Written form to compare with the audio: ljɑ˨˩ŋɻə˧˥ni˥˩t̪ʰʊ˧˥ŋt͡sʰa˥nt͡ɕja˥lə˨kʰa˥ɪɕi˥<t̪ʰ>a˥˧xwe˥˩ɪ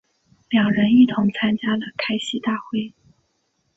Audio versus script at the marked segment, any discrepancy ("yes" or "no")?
yes